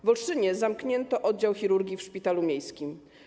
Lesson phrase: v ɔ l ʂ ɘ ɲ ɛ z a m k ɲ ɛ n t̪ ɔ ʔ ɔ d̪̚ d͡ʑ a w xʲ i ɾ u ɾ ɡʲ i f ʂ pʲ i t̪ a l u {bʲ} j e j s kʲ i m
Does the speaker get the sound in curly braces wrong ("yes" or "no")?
yes